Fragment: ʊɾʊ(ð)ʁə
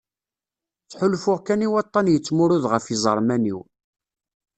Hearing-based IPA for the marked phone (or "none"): ð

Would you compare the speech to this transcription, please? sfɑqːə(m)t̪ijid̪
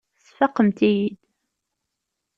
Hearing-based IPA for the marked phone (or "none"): m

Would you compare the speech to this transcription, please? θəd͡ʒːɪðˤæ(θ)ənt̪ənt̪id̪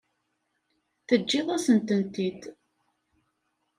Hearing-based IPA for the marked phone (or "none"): s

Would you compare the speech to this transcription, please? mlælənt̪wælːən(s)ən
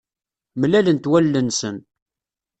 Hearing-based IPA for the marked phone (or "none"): s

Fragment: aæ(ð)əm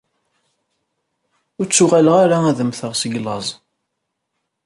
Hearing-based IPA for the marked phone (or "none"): ð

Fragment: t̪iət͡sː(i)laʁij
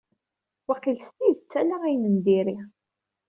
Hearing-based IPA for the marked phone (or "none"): æ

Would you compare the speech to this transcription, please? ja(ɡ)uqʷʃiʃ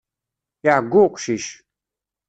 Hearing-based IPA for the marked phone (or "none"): ɡ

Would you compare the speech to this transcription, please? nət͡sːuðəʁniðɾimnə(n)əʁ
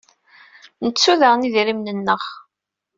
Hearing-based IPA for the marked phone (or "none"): nː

